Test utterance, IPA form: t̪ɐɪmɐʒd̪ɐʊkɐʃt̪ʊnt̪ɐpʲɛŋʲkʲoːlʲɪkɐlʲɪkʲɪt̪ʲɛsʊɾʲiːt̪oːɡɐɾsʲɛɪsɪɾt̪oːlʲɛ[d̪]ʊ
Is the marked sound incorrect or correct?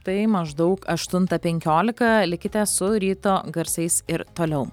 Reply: incorrect